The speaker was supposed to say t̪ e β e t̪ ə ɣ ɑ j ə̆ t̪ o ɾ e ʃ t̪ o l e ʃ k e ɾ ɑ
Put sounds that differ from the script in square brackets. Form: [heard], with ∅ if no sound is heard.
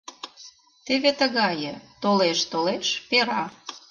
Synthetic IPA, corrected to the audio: t̪ e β e t̪ ə ɣ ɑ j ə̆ t̪ o [l] e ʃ t̪ o l e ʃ [p] e ɾ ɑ